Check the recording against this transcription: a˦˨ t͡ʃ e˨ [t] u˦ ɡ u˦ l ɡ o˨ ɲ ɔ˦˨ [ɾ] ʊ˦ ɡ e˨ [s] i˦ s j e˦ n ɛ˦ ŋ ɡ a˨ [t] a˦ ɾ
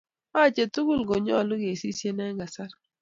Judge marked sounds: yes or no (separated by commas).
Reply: yes, no, yes, no